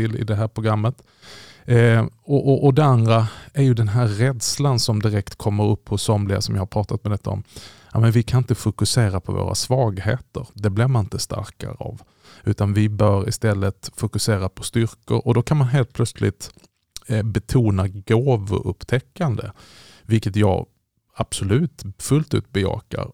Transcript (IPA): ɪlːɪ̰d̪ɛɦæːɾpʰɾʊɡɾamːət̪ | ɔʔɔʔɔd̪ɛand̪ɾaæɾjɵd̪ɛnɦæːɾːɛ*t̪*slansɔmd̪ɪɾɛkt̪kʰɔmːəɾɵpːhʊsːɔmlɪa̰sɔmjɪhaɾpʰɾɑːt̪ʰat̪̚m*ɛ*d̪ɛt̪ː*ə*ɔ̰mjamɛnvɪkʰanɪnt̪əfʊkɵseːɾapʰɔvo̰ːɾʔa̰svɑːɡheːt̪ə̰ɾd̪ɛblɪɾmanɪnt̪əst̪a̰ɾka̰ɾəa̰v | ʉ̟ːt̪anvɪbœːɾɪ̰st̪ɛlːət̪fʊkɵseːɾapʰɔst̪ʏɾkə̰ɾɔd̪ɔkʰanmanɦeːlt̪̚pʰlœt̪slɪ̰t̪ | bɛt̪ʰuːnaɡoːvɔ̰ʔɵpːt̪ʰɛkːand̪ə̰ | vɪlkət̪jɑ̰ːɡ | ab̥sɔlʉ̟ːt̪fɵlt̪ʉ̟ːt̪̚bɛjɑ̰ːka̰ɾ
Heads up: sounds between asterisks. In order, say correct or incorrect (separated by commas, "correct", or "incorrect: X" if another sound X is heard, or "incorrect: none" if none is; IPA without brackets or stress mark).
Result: incorrect: d̪, correct, incorrect: a